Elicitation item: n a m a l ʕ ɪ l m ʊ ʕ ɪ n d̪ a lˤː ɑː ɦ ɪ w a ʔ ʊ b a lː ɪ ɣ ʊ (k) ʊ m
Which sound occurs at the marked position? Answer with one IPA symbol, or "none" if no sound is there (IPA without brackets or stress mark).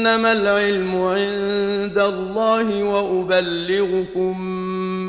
k